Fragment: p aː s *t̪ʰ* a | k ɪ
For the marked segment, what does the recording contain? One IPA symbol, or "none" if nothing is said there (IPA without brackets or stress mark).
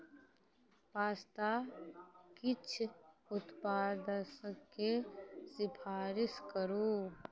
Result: t̪